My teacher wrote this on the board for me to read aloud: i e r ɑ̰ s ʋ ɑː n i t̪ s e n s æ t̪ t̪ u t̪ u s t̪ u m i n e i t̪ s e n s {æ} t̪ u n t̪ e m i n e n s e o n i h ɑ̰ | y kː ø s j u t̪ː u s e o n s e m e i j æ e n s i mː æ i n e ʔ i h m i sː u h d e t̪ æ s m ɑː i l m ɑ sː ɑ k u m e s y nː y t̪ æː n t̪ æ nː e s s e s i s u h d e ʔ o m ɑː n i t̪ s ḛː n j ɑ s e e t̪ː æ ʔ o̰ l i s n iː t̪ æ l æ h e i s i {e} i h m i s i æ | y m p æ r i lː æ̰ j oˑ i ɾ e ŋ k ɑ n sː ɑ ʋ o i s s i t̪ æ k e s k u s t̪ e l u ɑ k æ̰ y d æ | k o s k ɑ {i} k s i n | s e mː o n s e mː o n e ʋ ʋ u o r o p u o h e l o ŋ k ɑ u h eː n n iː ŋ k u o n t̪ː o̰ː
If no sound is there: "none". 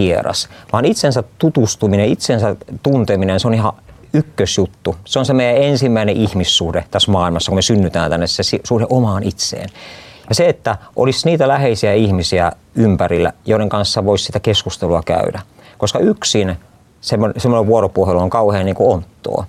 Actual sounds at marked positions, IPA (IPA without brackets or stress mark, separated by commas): æ, æ, y